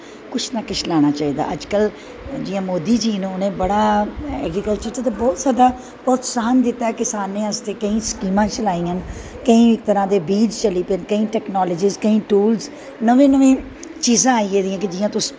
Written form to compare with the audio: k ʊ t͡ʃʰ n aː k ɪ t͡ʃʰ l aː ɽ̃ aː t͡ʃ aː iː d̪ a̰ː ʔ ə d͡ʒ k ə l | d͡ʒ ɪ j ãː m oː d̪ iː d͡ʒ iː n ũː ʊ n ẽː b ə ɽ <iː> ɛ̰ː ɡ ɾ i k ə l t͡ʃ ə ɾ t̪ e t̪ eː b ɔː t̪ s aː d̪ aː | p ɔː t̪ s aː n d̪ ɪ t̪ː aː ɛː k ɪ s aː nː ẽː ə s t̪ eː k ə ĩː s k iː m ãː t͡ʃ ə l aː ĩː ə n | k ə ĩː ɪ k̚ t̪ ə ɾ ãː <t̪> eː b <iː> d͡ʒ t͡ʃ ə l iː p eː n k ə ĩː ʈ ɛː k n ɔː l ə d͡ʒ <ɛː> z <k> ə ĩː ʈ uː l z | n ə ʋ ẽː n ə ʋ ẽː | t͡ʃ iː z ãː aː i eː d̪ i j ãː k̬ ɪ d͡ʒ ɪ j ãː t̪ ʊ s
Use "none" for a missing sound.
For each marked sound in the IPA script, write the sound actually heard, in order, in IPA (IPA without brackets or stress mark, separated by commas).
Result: aː, d̪, iː, iː, k